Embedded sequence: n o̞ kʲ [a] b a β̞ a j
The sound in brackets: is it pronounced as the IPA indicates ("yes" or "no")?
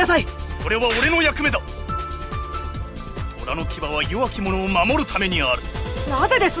no